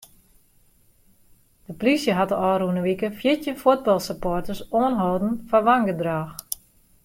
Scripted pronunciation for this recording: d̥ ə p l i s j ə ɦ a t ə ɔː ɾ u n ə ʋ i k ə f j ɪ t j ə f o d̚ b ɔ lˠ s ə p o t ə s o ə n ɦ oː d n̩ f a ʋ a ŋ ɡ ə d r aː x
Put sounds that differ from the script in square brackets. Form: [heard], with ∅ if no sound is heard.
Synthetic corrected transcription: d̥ ə p l i s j ə ɦ a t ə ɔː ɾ u n ə ʋ i k ə f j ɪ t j ə f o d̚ b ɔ lˠ s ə p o t ə s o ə n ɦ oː d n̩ f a ʋ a ŋ ɡ ə d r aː x